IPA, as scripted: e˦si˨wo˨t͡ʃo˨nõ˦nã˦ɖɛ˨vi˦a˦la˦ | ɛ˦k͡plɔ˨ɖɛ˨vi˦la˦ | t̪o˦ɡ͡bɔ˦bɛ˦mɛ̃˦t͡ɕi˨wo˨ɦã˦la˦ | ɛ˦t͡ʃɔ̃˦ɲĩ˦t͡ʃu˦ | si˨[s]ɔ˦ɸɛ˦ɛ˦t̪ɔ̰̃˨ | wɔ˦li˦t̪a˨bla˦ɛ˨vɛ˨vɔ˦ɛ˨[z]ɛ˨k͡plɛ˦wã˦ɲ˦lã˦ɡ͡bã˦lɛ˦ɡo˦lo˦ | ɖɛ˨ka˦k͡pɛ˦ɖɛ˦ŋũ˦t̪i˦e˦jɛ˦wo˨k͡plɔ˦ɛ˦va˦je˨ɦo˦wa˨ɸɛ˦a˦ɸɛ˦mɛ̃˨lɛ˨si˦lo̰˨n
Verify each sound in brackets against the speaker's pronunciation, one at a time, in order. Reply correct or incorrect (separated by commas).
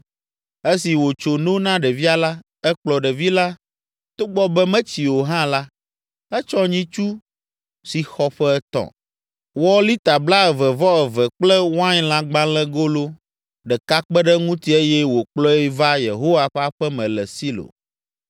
incorrect, incorrect